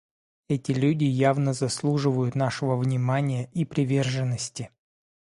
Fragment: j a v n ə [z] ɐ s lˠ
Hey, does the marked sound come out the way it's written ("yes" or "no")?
yes